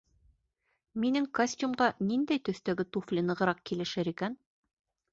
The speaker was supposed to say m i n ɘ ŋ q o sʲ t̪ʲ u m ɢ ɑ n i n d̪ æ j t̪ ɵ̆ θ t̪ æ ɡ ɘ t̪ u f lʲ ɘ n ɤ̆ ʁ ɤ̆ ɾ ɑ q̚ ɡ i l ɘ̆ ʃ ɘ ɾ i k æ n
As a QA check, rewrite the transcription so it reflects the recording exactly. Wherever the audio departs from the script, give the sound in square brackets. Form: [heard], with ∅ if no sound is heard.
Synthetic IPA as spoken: m i n ɘ ŋ [k] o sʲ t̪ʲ u m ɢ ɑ n i n d̪ æ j t̪ ɵ̆ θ t̪ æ ɡ ɘ t̪ u f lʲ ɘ n ɤ̆ ʁ ɤ̆ ɾ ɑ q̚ [k] i l ɘ̆ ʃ ɘ ɾ i k æ n

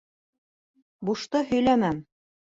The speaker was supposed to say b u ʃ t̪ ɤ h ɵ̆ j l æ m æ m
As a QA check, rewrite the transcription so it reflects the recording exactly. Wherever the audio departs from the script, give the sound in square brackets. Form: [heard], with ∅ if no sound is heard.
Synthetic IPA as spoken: b u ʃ t̪ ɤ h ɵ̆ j l æ [n] æ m

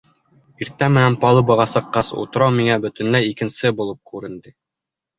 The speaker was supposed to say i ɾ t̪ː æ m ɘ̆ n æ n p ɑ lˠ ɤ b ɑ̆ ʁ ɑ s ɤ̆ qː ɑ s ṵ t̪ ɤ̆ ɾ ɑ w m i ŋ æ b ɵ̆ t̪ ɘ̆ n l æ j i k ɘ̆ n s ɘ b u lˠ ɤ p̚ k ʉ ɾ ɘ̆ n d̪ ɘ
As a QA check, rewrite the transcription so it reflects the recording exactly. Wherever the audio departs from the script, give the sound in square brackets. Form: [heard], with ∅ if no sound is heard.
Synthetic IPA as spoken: i ɾ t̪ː æ m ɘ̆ n æ n p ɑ lˠ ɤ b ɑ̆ ʁ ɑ s ɤ̆ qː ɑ s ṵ t̪ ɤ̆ ɾ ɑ w m i ŋ æ b ɵ̆ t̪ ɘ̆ n l æ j i k ɘ̆ n s ɘ b u lˠ ɤ p̚ k ʉ ɾ ɘ̆ n d̪ ɘ

